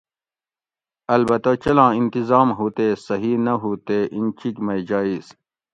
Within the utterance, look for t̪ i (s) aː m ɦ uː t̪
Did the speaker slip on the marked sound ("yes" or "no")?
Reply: yes